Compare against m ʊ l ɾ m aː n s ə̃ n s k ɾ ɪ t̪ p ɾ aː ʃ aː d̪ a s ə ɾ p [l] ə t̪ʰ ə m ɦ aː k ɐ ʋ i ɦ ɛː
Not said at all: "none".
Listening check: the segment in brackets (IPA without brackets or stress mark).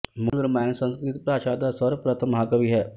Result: ɾ